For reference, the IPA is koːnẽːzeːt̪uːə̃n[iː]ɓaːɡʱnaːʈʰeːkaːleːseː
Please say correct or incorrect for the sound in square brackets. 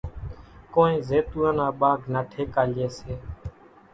incorrect